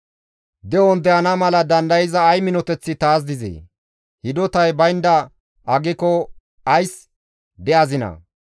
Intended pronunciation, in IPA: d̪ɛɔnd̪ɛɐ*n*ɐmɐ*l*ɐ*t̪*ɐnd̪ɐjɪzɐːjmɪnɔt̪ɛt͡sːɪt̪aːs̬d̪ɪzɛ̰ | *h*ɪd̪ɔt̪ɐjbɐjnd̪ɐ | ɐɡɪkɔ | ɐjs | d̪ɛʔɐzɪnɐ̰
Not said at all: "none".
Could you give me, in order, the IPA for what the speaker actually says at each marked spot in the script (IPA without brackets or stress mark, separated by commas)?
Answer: n, l, d̪, h